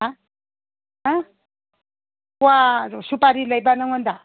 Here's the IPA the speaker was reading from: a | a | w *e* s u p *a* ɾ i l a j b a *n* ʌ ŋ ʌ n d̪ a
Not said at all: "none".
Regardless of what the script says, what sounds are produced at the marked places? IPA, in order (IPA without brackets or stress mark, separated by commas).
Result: a, a, n